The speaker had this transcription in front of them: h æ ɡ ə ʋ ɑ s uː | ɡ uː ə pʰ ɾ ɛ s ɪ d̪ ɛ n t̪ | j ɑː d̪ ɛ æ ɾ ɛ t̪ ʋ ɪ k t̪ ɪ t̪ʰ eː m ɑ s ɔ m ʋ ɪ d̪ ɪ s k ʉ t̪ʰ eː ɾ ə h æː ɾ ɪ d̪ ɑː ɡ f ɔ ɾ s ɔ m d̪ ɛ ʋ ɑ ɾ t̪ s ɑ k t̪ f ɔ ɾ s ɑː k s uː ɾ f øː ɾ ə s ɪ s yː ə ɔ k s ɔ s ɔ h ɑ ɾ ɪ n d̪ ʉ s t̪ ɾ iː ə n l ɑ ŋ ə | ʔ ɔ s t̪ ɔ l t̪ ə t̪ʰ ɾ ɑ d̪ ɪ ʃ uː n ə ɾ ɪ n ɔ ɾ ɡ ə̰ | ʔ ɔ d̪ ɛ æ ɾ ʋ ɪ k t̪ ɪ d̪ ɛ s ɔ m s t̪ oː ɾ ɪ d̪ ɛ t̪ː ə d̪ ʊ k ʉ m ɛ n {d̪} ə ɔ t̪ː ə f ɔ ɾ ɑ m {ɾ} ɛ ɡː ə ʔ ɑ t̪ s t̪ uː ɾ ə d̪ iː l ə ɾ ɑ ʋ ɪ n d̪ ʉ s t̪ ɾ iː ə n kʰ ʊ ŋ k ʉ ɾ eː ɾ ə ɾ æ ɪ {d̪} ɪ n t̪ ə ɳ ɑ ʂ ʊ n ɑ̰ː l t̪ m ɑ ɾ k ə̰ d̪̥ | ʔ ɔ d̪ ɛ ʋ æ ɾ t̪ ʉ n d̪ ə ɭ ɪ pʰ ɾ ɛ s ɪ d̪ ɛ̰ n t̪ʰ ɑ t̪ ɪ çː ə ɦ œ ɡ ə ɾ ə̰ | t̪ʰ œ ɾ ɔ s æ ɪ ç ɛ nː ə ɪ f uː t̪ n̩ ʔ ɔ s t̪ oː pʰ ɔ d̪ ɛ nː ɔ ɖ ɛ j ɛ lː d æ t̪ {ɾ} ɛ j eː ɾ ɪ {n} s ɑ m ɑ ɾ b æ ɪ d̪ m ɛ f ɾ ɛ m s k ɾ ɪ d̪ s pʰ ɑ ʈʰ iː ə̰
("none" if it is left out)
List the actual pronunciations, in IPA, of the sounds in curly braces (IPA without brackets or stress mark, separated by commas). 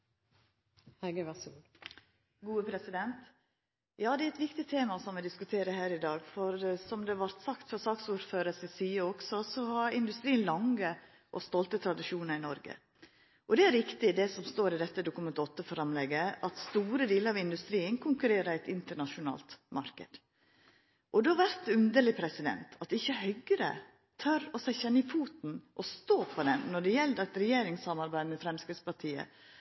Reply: t̪, l, t̪, ɾ, ŋ